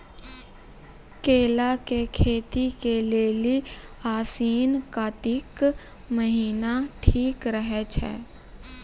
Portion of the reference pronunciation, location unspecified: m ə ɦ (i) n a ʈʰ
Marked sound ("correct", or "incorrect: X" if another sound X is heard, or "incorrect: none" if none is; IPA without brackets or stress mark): incorrect: iː